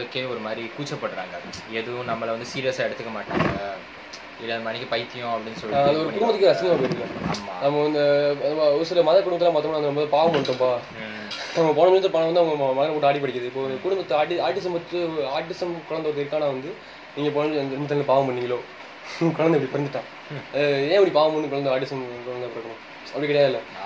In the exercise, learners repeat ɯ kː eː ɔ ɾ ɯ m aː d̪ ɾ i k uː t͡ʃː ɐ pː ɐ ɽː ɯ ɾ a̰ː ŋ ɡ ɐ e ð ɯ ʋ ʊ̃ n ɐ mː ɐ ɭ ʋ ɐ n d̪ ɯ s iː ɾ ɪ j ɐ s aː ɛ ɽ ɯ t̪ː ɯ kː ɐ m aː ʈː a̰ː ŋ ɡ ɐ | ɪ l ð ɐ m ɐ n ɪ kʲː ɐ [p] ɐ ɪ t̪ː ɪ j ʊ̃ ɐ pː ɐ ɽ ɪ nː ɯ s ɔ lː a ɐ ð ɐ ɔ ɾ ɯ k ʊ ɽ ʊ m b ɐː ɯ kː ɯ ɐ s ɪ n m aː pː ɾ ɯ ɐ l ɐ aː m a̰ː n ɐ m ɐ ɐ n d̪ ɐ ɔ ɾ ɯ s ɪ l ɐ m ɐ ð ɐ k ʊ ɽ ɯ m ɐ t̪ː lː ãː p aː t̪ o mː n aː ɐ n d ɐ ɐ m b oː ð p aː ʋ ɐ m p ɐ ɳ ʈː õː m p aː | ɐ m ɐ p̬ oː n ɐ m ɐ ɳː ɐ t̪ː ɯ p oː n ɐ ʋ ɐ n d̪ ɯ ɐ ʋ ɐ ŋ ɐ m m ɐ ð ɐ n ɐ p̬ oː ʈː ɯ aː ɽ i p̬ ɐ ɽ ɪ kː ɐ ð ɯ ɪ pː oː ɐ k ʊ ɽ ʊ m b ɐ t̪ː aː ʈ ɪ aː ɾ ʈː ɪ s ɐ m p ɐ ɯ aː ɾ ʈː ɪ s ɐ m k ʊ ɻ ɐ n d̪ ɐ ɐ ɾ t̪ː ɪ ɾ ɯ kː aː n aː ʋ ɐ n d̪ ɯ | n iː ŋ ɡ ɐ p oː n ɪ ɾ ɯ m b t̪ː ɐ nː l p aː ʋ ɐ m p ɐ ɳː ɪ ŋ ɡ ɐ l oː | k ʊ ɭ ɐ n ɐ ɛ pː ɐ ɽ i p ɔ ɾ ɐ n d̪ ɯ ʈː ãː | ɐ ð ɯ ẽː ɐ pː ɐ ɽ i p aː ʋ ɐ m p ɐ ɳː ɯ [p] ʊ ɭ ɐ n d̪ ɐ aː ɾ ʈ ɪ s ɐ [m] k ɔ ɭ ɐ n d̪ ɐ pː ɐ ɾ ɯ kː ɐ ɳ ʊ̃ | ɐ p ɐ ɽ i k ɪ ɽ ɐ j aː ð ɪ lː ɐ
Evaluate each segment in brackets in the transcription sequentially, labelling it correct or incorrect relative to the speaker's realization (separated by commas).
correct, incorrect, correct